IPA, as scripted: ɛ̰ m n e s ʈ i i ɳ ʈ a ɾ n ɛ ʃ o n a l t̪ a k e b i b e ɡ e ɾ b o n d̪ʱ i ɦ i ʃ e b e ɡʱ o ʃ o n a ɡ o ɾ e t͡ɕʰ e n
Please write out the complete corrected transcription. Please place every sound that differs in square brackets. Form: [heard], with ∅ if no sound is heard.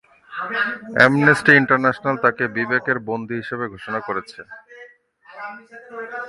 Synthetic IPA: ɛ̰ m n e s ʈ i i ɳ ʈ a ɾ n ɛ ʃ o n a l t̪ a k e b i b e [k] e ɾ b o n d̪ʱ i ɦ i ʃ e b e ɡʱ o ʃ o n a [k] o ɾ e t͡ɕʰ e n